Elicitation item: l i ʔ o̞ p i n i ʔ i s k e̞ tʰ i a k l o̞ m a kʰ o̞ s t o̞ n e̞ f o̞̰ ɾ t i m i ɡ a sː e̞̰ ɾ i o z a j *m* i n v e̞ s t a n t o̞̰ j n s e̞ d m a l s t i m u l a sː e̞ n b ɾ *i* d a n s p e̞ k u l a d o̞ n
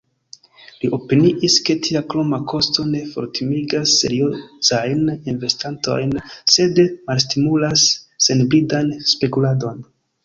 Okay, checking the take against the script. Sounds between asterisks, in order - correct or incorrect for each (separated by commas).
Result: incorrect, correct